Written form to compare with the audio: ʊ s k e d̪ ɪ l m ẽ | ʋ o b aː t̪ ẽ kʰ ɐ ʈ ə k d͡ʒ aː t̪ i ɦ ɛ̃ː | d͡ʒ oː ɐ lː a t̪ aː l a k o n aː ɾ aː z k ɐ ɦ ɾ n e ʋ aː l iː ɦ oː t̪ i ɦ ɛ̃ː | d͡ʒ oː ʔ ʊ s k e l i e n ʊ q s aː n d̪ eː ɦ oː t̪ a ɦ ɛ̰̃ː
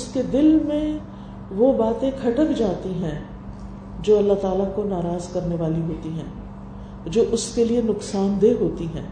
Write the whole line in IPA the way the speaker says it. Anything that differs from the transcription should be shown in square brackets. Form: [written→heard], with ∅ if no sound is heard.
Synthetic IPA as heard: ʊ s k e d̪ ɪ l m ẽ | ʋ o b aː t̪ ẽ kʰ ɐ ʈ ə k d͡ʒ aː t̪ i ɦ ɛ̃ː | d͡ʒ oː ɐ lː a t̪ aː l a k o n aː ɾ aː z k ɐ [ɦ→∅] ɾ n e ʋ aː l [iː→i] ɦ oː t̪ i ɦ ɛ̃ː | d͡ʒ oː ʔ ʊ s k e l i e n ʊ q s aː n d̪ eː ɦ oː t̪ [a→i] ɦ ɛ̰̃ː